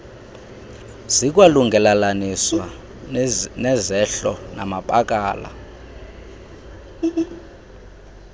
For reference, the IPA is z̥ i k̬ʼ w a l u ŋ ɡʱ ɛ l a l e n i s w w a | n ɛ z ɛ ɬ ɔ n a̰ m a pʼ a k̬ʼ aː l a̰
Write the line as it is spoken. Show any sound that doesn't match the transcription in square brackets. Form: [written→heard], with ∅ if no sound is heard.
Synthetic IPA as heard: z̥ i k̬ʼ w a l u ŋ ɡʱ ɛ l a l [e→a] n i s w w a | n ɛ z ɛ ɬ ɔ n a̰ m a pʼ a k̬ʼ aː l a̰